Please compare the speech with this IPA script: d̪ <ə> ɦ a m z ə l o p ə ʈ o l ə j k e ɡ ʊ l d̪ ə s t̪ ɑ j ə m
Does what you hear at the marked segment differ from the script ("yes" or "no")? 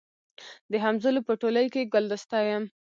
no